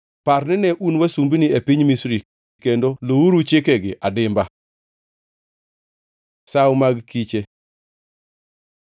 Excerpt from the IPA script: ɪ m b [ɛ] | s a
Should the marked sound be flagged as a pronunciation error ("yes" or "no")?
yes